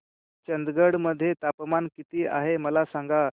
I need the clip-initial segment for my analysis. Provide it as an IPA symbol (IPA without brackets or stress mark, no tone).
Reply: t͡ɕ